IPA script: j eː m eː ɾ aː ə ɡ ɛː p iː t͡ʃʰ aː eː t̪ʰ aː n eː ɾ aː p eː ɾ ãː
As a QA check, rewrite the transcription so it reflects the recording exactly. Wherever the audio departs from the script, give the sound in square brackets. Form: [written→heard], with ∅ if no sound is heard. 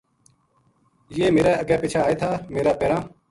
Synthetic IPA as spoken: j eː m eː ɾ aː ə ɡ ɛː p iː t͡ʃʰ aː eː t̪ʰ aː [n→m] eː ɾ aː p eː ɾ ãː